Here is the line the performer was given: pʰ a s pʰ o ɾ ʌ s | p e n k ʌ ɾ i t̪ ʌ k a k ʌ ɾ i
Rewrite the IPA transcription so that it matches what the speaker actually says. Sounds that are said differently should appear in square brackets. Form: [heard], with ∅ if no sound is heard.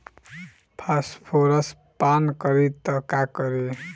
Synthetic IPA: pʰ a s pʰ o ɾ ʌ s | p [a] n k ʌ ɾ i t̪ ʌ k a k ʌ ɾ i